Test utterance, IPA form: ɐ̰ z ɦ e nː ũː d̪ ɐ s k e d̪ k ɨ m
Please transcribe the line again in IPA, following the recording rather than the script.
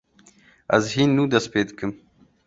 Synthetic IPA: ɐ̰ z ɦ i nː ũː d̪ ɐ s p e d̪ k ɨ m